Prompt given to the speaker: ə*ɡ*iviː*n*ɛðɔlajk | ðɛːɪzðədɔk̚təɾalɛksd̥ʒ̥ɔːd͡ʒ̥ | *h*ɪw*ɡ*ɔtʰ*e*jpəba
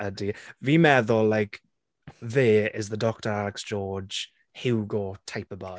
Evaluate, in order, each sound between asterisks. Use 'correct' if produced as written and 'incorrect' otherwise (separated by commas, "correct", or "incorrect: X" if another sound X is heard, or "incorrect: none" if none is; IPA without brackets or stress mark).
incorrect: d, incorrect: m, correct, correct, incorrect: a